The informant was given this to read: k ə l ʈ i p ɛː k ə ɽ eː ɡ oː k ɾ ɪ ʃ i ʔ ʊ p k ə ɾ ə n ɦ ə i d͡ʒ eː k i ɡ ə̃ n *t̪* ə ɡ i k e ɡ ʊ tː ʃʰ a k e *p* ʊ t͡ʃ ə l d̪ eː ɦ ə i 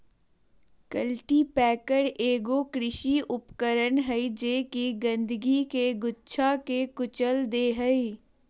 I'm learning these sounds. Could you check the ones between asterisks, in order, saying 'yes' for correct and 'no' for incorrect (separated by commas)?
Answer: no, no